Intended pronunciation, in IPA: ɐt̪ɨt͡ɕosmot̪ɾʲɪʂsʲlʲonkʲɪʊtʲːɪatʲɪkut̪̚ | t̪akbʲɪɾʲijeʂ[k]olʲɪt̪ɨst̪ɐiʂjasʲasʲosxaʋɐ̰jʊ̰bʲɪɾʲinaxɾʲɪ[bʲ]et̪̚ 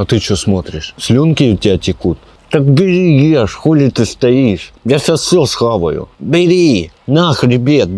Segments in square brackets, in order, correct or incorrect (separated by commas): incorrect, correct